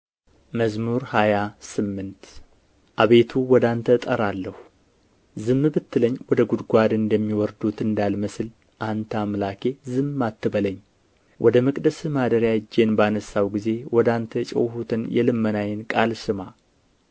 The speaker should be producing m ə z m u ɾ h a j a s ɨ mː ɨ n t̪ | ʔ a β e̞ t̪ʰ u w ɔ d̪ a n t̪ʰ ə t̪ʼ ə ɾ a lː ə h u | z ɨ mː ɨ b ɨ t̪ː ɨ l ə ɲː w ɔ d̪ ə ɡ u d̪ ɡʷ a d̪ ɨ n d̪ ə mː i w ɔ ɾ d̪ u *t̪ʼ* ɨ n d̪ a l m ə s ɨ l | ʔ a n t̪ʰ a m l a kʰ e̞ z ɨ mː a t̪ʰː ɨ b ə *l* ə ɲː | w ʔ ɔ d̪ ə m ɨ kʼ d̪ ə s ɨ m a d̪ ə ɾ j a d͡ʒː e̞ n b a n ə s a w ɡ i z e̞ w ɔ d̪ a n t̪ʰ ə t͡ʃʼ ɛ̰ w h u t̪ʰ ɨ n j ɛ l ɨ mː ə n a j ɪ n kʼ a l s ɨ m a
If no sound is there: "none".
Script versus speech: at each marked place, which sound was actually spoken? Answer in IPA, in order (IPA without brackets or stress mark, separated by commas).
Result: t̪, l